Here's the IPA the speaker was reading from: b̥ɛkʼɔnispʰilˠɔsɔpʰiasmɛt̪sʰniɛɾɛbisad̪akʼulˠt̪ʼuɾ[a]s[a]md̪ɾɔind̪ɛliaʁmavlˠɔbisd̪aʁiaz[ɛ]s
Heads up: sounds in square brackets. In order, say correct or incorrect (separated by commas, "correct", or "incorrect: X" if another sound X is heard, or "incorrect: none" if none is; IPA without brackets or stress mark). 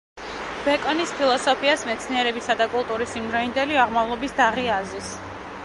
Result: incorrect: i, incorrect: i, incorrect: i